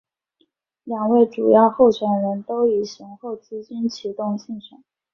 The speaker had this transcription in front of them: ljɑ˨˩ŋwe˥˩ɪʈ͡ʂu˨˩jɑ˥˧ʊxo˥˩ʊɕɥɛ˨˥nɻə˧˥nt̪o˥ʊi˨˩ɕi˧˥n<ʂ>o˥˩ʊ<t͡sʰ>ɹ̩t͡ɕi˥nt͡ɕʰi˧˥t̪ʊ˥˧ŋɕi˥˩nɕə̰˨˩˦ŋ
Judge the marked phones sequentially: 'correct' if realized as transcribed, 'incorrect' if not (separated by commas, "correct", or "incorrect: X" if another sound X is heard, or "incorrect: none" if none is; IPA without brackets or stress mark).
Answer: incorrect: x, incorrect: t͡s